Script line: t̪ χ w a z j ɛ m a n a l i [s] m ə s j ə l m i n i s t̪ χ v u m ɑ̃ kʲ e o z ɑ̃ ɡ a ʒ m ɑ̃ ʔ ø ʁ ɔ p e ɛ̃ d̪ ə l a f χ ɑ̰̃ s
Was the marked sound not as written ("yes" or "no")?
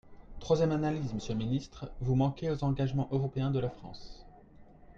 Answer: yes